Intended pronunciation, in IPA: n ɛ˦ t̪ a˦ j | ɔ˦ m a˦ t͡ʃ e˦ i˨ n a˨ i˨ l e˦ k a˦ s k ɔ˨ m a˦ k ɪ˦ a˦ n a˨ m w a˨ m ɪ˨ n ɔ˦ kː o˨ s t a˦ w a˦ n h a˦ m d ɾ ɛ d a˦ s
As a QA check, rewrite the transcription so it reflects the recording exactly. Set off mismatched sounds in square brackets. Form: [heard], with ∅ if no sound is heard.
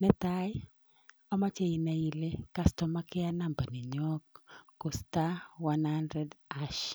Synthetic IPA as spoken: n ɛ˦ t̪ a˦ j | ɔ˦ m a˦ t͡ʃ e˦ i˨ n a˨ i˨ l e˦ k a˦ s [t] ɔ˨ m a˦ k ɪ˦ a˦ n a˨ m [b] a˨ [n] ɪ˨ [ɲ] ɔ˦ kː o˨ s t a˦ w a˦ n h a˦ [n] d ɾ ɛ d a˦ [ʃ]